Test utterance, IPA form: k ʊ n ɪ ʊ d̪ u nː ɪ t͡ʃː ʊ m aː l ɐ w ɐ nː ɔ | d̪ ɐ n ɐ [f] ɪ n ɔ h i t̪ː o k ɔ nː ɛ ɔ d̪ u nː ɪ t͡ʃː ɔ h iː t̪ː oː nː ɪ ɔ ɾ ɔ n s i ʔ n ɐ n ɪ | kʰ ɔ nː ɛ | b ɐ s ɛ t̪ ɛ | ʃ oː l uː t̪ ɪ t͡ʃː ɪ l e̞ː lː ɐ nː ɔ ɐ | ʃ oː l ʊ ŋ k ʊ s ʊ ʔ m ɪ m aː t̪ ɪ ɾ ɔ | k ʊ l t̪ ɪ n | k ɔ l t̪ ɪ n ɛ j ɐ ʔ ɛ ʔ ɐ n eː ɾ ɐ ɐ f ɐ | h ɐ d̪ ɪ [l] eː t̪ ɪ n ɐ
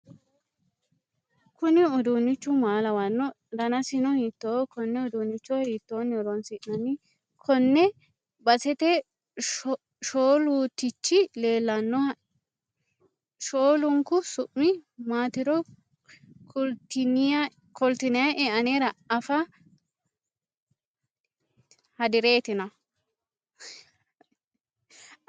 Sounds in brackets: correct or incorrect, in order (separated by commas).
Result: incorrect, incorrect